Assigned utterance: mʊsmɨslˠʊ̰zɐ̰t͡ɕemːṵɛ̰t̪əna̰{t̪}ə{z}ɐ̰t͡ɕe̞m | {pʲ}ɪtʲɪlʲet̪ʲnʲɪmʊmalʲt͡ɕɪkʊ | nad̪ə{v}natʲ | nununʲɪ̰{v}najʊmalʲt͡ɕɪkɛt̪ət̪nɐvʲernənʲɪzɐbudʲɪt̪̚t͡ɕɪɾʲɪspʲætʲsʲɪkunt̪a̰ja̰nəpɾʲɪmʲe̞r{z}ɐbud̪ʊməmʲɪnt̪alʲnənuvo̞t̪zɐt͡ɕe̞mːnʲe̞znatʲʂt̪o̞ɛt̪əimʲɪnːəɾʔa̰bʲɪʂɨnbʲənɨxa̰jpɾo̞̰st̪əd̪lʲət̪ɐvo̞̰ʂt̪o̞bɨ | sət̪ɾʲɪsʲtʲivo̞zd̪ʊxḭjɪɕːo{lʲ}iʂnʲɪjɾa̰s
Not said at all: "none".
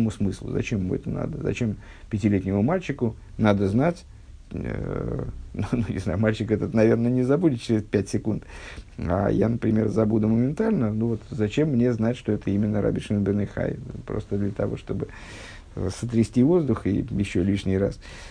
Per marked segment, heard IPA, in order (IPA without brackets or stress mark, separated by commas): d̪, z, pʲ, z, z, z, lʲ